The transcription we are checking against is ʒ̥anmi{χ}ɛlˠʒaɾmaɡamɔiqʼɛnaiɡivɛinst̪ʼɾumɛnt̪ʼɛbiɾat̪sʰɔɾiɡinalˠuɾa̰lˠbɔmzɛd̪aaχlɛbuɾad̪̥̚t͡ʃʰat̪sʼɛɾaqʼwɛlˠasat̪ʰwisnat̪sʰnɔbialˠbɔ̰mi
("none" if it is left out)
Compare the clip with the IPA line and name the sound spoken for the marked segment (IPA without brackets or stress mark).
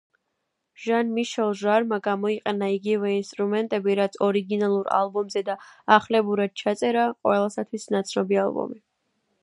ʃ